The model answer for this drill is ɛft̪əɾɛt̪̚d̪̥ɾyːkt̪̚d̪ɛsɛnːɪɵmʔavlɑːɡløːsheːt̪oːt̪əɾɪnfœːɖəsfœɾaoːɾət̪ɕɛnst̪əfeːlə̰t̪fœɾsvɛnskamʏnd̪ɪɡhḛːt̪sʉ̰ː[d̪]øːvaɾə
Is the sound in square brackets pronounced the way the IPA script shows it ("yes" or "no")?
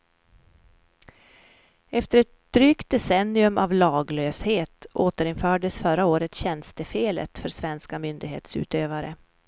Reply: no